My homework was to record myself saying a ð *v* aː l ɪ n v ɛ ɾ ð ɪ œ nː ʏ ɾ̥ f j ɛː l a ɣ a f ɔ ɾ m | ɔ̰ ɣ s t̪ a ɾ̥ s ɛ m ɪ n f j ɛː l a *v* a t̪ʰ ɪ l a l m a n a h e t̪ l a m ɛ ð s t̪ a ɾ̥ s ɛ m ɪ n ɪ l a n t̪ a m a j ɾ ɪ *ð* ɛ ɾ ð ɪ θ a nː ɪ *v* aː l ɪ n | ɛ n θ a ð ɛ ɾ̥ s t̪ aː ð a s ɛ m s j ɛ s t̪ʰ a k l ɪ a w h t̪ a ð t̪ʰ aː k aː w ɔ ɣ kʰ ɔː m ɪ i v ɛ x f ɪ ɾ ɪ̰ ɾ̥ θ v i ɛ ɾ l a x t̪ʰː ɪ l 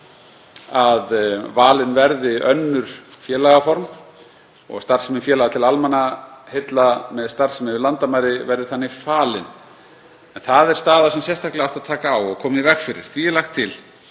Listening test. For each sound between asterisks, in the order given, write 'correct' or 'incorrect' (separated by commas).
correct, incorrect, incorrect, incorrect